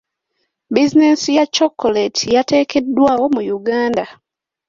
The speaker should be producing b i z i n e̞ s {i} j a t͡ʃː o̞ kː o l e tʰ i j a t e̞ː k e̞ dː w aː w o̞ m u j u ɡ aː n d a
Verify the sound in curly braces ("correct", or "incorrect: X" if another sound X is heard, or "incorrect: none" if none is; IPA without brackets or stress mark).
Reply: correct